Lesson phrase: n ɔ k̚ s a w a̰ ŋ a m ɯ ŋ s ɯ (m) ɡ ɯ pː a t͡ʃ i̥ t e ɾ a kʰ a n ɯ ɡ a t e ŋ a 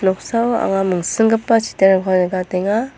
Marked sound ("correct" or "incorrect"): incorrect